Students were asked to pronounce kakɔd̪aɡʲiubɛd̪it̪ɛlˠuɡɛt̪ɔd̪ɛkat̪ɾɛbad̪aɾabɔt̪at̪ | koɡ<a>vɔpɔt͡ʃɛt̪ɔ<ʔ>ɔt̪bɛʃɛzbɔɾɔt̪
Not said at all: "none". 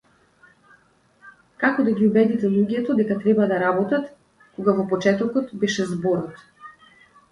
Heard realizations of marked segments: a, k

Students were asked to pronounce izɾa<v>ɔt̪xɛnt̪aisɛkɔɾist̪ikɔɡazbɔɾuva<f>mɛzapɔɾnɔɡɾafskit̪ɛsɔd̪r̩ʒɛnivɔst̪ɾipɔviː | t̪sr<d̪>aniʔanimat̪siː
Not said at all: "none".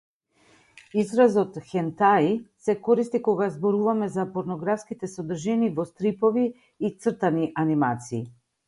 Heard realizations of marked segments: z, none, t̪

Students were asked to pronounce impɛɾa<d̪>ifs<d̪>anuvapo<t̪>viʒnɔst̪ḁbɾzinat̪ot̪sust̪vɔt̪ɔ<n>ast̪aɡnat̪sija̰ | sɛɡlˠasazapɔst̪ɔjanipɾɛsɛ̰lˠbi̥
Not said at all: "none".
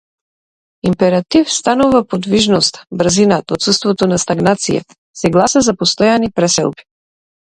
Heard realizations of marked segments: t̪, t̪, d̪, n

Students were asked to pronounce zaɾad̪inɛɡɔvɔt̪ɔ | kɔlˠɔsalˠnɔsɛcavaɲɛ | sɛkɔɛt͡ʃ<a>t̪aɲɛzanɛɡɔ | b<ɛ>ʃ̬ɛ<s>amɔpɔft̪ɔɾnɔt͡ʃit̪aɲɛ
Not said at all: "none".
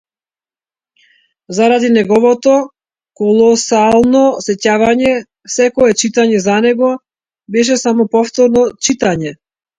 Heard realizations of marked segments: i, ɛ, s

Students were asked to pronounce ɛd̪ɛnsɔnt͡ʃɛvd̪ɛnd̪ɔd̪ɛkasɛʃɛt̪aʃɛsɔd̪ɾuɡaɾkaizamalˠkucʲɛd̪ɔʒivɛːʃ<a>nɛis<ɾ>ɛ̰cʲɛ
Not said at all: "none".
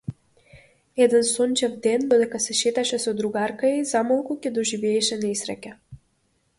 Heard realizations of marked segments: ɛ, ɾ

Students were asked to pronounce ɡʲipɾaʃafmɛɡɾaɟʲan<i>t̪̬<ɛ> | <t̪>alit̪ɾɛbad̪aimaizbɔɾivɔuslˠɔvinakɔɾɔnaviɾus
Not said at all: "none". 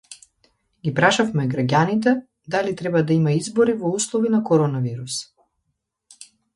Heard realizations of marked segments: i, ɛ, d̪

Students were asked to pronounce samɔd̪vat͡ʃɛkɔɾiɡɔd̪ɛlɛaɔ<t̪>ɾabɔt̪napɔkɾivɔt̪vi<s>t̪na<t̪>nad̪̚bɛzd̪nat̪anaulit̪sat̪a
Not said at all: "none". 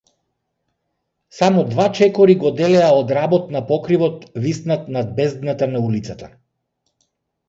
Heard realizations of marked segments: d̪, s, t̪

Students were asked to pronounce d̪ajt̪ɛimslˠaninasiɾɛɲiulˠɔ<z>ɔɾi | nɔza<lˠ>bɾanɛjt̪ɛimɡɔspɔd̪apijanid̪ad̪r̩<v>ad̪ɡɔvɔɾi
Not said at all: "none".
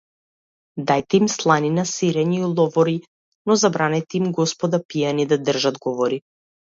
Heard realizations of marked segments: v, none, ʒ

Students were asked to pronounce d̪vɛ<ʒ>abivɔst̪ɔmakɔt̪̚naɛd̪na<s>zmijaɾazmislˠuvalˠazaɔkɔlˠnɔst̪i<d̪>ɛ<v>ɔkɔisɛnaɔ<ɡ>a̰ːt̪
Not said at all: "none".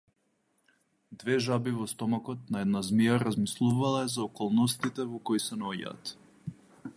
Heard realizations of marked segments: ʒ, none, t̪, v, ɟ

